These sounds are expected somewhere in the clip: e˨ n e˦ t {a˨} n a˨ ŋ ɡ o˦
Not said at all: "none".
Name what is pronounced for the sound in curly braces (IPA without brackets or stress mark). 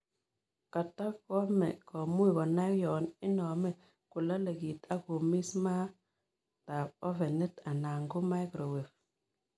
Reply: a˨